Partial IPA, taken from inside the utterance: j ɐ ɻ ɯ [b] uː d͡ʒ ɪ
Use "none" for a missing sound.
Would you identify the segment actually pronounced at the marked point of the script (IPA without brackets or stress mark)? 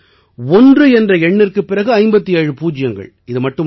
p